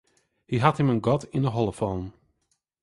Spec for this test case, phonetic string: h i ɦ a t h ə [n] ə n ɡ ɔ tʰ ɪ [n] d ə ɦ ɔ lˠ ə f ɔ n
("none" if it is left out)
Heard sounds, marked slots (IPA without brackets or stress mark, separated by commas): m, n